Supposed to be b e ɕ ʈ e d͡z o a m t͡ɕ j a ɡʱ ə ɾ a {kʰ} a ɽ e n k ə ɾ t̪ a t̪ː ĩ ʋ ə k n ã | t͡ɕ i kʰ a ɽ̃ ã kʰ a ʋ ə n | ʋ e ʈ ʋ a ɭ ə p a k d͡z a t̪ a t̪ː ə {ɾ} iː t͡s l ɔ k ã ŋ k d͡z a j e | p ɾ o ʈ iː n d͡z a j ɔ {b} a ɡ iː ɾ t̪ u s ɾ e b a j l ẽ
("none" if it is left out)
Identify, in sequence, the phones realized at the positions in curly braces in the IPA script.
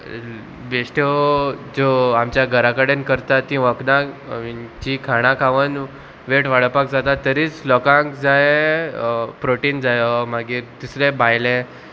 k, ɾ, m

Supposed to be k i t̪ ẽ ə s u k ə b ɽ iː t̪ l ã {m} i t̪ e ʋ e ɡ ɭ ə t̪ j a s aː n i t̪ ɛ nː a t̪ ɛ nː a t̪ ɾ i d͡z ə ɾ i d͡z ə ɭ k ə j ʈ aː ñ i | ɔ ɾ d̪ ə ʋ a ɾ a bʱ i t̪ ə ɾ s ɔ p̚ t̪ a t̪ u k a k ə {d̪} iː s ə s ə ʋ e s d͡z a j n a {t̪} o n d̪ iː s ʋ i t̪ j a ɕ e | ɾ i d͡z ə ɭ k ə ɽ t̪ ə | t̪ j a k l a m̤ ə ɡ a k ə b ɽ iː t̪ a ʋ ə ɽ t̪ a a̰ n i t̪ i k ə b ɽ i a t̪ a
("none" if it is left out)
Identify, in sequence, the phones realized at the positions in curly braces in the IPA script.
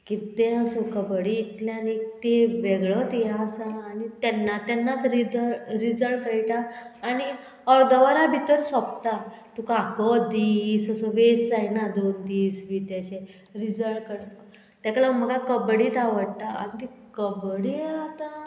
n, d̪, d̪

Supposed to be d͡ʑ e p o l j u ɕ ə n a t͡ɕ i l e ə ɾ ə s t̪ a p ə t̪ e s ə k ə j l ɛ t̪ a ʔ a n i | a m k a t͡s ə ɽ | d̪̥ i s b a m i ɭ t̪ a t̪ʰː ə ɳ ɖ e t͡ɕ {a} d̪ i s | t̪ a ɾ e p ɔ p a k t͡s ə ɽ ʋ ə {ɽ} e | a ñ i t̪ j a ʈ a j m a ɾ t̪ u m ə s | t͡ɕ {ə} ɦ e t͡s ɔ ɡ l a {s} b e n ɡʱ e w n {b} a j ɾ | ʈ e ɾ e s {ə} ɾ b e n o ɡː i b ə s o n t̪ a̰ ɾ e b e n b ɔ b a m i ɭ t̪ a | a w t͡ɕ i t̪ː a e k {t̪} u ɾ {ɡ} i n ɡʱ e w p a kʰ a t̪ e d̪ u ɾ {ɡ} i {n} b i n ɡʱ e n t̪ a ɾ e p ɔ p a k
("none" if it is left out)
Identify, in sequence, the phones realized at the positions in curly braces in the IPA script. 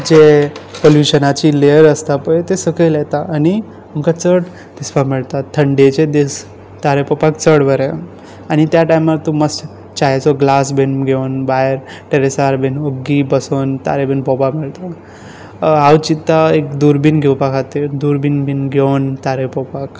e, ɾ, a, s, b, a, d̪, b, b, n

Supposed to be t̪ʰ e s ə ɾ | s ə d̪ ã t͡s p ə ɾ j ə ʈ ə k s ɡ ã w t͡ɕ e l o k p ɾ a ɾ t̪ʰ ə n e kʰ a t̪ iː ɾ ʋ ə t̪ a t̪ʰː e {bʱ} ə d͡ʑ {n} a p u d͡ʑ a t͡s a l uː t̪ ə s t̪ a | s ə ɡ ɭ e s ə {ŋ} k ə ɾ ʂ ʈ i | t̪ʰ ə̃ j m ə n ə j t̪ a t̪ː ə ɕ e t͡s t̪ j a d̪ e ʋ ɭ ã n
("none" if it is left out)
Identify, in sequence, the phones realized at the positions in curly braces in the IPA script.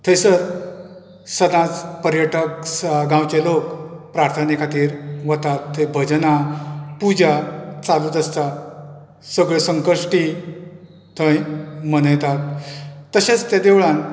bʱ, n, ŋ

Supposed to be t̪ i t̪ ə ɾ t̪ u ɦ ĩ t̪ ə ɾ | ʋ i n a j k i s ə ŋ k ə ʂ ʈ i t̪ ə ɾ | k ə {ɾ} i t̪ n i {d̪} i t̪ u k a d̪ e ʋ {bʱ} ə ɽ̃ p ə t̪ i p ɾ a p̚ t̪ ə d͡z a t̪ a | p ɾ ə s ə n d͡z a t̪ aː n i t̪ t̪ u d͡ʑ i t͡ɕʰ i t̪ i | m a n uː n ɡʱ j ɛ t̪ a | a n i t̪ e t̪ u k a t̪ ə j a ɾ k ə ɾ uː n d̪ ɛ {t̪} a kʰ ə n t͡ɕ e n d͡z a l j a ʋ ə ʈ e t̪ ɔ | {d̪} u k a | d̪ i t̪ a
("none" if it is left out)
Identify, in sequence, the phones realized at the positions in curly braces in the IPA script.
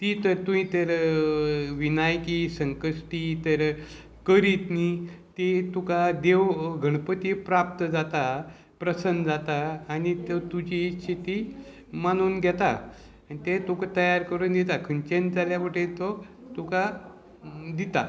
ɾ, t̪, ɡʱ, t̪, t̪

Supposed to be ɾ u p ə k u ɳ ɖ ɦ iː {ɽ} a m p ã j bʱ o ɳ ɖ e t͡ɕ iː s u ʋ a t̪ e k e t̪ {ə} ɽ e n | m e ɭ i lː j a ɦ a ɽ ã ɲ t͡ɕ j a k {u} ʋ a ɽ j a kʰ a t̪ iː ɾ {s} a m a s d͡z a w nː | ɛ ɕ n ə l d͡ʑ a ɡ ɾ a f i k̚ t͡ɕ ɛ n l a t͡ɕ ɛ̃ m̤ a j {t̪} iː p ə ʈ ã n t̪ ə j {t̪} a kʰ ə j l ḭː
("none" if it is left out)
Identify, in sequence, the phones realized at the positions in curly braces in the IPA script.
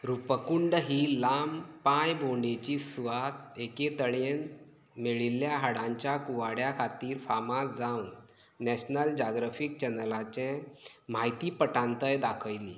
l, ə, u, f, t̪, d̪

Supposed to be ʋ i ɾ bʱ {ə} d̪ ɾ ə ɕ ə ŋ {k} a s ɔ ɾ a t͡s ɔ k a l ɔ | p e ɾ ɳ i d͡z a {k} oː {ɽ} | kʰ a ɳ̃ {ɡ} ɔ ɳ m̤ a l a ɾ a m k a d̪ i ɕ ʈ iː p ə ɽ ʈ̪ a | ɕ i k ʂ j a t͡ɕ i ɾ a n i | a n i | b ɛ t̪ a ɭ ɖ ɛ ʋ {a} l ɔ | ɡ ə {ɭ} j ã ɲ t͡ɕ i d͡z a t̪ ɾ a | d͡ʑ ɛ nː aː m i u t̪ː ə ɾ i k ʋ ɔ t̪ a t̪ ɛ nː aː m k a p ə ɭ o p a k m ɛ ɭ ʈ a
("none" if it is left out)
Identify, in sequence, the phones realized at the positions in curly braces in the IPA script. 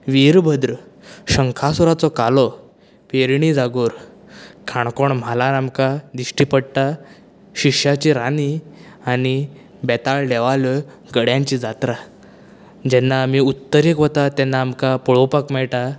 ə, kʰ, ɡ, ɾ, k, a, ɽ

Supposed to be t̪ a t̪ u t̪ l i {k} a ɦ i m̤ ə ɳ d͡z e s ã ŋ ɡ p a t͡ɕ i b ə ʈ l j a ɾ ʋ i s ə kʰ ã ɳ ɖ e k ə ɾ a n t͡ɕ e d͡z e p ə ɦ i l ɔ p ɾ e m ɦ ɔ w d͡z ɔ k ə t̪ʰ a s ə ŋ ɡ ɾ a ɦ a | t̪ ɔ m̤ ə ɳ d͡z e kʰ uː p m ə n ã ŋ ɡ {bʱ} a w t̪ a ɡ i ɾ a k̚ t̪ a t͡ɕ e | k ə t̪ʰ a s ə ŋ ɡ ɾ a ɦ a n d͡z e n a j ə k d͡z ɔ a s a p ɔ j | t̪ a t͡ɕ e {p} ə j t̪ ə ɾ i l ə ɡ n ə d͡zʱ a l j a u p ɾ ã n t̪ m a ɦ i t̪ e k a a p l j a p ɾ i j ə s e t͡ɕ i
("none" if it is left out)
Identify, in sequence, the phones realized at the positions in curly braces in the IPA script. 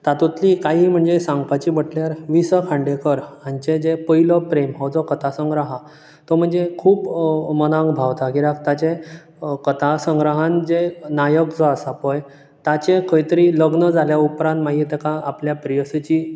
k, bʱ, k

